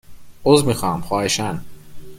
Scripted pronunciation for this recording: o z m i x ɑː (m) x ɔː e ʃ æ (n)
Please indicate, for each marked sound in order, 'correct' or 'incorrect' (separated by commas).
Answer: correct, correct